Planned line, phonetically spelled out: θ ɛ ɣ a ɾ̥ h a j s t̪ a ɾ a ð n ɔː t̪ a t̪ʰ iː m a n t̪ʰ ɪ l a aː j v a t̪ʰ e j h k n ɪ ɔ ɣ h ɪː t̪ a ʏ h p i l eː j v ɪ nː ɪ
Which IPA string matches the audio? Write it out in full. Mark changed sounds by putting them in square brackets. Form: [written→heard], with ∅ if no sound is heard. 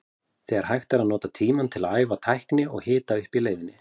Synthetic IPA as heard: θ ɛ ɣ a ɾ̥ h a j [s→x] t̪ a ɾ a ð n ɔː t̪ a t̪ʰ iː m a n t̪ʰ ɪ l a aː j v a t̪ʰ [e→a] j h k n ɪ ɔ ɣ h ɪː t̪ a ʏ h p i l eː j [v→ð] ɪ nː ɪ